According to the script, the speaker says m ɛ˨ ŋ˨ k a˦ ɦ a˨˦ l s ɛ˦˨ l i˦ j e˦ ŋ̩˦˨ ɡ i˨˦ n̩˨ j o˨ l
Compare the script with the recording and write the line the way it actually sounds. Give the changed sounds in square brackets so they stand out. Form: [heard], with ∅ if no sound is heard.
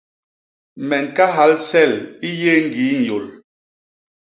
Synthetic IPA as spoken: m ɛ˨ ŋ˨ k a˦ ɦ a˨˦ l s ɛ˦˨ l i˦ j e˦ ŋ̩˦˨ ɡ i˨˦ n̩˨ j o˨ l